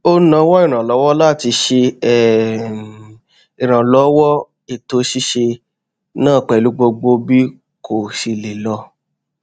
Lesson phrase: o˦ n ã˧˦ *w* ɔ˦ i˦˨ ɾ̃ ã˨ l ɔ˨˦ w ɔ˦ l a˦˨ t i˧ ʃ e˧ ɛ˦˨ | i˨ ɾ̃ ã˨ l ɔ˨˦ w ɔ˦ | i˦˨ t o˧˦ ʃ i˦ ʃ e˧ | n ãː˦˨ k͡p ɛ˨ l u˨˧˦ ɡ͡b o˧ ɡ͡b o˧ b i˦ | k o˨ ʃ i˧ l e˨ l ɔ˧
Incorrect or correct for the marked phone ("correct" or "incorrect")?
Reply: correct